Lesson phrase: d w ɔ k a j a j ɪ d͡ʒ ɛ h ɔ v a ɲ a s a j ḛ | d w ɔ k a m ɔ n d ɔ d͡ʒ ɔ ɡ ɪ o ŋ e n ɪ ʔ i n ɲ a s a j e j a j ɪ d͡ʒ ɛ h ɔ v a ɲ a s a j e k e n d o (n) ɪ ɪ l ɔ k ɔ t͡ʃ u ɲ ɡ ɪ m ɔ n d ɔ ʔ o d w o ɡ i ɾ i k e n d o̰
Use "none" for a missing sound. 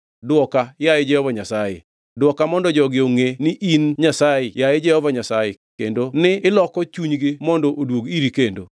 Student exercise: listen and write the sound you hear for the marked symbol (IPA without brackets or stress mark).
n